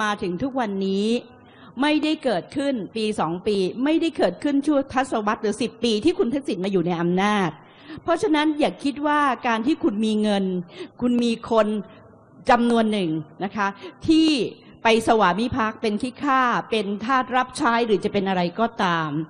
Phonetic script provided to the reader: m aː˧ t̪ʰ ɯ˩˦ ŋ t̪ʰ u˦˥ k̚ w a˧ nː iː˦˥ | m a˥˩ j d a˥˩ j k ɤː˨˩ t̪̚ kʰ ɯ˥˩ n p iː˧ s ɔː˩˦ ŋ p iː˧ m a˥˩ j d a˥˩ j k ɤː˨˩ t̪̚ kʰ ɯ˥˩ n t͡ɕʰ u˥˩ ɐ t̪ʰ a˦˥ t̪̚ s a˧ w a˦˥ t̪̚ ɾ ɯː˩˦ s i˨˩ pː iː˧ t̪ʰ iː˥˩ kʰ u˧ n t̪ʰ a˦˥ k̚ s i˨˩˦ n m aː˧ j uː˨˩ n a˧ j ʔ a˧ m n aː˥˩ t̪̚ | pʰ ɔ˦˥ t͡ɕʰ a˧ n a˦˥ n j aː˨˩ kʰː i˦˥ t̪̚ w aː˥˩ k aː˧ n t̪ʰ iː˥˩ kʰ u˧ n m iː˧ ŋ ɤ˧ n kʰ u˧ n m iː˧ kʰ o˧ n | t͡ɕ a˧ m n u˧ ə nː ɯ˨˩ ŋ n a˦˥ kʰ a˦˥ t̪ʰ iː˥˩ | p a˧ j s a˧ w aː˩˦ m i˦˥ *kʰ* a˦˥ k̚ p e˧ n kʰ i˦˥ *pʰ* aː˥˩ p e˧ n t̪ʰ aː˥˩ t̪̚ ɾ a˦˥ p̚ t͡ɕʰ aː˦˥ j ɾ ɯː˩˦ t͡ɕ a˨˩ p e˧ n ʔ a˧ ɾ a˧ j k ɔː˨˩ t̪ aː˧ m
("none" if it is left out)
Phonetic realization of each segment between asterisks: pʰ, kʰ

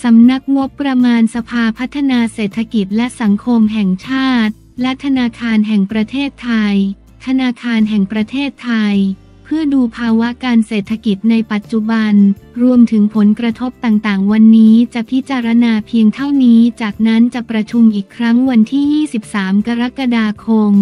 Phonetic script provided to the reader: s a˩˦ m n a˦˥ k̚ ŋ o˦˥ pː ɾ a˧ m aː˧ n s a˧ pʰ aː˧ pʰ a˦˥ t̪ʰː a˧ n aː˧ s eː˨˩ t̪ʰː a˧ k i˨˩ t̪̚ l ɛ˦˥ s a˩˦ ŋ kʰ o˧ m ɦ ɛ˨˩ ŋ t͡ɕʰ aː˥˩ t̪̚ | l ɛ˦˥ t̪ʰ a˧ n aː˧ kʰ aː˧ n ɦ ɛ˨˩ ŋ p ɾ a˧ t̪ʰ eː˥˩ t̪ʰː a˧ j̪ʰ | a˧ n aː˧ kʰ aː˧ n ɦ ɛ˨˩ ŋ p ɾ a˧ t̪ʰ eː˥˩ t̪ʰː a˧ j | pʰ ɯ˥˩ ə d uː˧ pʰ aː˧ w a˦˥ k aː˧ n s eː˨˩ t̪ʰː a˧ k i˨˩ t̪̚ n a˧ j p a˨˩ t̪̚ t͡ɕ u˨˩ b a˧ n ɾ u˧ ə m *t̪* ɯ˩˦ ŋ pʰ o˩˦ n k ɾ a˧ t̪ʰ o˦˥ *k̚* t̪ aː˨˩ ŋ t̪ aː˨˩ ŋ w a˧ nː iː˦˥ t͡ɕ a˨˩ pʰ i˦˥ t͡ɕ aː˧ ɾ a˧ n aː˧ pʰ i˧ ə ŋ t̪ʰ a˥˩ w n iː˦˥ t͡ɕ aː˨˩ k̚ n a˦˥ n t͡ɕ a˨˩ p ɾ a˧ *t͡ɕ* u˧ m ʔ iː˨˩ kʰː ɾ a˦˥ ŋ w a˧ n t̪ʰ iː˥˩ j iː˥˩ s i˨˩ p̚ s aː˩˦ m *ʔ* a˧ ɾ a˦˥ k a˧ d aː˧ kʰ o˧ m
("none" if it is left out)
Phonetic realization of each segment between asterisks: t̪ʰ, p̚, t͡ɕʰ, k

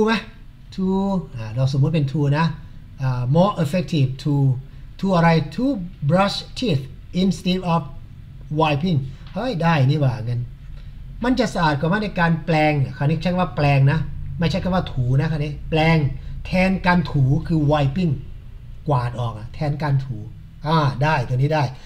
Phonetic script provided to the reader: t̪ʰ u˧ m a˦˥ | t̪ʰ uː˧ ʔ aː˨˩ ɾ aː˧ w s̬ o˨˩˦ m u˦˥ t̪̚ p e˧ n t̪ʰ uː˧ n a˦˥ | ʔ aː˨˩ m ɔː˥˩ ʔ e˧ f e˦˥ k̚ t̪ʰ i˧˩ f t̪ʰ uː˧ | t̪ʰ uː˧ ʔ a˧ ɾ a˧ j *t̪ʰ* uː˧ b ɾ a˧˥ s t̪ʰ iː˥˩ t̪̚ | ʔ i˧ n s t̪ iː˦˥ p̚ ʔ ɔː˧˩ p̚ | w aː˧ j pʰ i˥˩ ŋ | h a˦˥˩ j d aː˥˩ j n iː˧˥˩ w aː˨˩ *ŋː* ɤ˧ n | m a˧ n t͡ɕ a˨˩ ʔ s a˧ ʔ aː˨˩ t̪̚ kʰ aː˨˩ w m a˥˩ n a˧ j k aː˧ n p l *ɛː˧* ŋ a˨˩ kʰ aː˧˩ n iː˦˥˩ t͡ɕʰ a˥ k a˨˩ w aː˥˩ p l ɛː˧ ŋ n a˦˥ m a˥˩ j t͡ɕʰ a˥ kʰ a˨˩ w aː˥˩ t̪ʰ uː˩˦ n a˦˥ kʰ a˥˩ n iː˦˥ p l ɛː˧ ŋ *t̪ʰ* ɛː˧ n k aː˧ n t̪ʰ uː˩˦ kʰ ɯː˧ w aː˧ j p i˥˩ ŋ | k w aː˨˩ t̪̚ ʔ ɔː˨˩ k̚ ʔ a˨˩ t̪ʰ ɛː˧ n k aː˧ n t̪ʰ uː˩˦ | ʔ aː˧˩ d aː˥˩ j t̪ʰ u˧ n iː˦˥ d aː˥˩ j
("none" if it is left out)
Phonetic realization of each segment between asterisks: t̪ʰ, ŋ, ɛː˧, t̪ʰ

